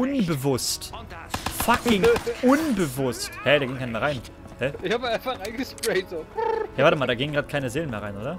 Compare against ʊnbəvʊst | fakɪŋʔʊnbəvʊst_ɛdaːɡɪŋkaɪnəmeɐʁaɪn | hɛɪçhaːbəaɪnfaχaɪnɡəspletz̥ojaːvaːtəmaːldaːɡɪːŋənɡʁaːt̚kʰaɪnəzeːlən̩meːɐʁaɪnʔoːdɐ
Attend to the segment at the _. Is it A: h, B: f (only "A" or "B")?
A